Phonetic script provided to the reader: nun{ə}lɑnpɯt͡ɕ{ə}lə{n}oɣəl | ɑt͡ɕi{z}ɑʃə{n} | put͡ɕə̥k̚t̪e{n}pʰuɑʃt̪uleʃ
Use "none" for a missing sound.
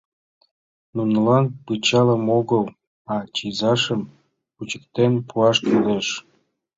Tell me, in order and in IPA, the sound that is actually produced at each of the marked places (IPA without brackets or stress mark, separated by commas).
ə, ɑ, m, z, m, n